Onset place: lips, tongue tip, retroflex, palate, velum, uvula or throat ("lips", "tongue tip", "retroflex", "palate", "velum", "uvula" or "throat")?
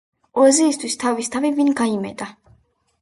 tongue tip